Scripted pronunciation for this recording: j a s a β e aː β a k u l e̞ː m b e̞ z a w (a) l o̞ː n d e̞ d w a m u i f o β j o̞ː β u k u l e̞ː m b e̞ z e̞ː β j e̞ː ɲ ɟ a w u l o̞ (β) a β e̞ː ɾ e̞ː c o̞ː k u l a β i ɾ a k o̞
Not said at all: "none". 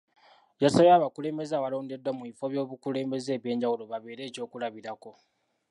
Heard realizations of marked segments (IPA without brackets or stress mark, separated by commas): a, β